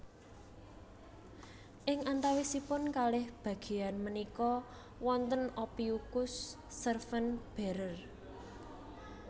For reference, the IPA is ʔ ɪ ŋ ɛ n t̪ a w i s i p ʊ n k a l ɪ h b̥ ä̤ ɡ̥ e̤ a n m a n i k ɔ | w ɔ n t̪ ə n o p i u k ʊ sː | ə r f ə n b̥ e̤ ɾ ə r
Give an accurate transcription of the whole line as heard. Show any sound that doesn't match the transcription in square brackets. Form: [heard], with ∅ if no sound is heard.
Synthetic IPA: ʔ ɪ ŋ [a] n t̪ a w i s i p ʊ n k a l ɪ h b̥ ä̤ ɡ̥ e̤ a n m [ə] n i k ɔ | w ɔ n t̪ ə n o p i u k ʊ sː | ə r f ə n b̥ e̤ ɾ ə r